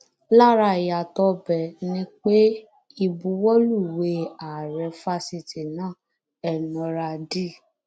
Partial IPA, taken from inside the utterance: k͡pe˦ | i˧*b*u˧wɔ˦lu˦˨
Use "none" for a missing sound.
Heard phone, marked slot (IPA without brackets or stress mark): b